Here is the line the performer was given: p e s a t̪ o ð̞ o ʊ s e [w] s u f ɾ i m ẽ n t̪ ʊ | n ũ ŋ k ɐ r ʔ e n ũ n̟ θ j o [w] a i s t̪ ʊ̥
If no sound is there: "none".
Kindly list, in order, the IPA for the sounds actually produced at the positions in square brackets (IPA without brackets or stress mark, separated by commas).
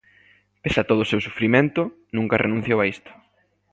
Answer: w, w